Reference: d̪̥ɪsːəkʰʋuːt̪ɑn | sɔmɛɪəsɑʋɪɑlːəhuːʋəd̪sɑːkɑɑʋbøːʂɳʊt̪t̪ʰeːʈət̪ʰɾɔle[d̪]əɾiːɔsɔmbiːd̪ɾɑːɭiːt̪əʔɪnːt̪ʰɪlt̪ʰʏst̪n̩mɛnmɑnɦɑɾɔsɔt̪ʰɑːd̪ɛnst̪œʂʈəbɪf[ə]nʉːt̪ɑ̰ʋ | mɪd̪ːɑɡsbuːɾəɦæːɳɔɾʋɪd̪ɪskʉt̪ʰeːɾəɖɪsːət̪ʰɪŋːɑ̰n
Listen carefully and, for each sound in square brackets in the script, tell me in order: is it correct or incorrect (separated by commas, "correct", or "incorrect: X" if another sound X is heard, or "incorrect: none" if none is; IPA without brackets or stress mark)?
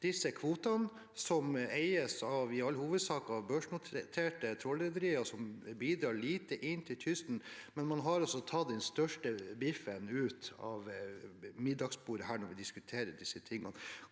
correct, correct